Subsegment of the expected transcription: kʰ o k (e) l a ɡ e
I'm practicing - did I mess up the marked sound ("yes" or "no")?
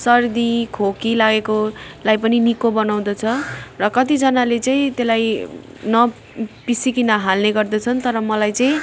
yes